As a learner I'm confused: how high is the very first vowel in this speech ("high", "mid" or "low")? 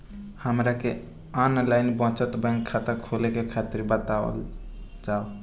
mid